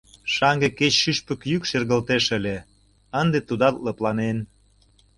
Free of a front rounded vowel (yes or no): no